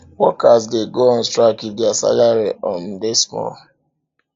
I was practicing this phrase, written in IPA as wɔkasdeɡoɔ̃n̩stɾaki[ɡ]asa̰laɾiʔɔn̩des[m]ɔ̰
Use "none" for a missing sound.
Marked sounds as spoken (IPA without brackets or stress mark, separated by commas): d, m